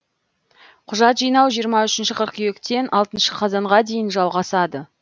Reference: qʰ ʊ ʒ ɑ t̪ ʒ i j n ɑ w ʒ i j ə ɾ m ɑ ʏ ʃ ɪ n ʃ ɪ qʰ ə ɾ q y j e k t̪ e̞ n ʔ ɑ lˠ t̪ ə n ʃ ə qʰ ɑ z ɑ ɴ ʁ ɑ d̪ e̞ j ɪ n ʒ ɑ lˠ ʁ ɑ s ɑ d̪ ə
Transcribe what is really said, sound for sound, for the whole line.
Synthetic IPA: qʰ ʊ ʒ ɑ t̪ ʒ i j n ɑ w ʒ i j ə ɾ m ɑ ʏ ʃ ɪ n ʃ ɪ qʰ ə ɾ q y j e k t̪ e̞ n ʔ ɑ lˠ t̪ ə n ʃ ə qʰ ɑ z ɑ ɴ ʁ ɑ d̪ e̞ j ɪ n ʒ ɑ lˠ ʁ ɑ s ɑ d̪ ə